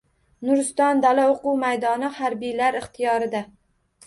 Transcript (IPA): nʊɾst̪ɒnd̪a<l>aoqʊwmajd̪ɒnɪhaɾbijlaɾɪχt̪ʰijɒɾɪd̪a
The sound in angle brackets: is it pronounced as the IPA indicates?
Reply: yes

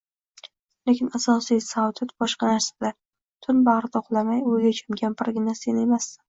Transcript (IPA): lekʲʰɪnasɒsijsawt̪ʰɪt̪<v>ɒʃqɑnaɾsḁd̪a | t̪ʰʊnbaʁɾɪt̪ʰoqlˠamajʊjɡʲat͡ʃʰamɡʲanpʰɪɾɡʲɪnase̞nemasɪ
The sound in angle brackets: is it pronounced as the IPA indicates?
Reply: no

